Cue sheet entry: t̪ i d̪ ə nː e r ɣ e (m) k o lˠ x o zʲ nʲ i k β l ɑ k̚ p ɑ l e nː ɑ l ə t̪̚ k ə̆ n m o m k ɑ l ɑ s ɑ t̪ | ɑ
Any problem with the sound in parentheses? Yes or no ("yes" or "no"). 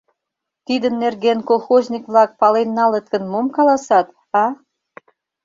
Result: yes